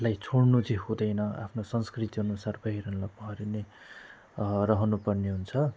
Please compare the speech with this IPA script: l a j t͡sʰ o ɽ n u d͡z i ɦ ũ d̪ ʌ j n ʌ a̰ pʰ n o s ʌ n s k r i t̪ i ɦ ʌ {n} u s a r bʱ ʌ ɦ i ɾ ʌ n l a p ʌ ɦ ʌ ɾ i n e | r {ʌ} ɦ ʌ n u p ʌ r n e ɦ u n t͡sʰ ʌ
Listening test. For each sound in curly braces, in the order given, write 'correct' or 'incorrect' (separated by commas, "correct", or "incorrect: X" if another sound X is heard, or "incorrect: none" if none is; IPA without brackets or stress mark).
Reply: correct, correct